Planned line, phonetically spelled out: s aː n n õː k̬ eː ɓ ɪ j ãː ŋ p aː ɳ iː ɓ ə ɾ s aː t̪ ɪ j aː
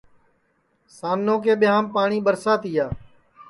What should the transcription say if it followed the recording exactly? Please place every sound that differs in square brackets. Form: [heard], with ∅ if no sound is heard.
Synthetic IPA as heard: s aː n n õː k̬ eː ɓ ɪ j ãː [m] p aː ɳ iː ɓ ə ɾ s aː t̪ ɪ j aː

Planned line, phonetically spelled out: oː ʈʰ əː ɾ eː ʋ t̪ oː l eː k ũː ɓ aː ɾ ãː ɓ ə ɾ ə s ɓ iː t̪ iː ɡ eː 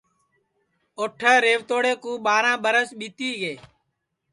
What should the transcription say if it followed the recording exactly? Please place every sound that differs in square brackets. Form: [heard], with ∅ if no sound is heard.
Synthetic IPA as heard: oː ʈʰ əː ɾ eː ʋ t̪ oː [ɽ] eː k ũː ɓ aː ɾ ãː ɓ ə ɾ ə s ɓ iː t̪ iː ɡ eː

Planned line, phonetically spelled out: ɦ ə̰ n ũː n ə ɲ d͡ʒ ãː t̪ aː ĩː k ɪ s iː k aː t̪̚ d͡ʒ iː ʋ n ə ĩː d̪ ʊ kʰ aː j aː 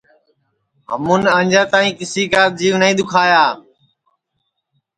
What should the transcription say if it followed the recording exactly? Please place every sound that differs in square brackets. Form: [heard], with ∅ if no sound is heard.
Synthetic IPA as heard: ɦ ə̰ [m] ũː n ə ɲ d͡ʒ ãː t̪ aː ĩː k ɪ s iː k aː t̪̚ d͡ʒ iː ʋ n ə ĩː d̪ ʊ kʰ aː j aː

